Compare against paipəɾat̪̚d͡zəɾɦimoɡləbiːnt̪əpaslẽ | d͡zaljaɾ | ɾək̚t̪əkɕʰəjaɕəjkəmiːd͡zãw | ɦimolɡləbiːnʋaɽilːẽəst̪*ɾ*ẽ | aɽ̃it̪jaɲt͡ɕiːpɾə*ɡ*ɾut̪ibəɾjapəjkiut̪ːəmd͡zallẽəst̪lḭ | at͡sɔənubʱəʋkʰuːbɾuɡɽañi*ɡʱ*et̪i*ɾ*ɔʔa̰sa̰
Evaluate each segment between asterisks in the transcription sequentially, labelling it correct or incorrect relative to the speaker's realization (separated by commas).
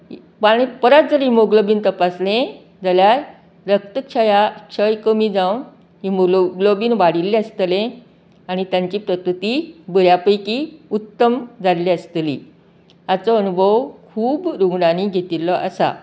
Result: incorrect, incorrect, correct, incorrect